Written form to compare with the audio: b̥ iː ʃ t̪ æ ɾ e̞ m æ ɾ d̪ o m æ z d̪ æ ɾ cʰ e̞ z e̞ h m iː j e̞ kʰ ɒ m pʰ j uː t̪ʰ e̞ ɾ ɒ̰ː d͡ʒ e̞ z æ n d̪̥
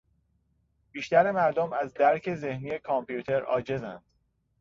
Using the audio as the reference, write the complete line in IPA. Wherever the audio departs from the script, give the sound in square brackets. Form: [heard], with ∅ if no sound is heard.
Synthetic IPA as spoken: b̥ iː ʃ t̪ æ ɾ e̞ m æ ɾ d̪ o m æ z d̪ æ ɾ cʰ e̞ z e̞ h [n] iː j e̞ kʰ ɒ m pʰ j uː t̪ʰ e̞ ɾ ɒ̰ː d͡ʒ e̞ z æ n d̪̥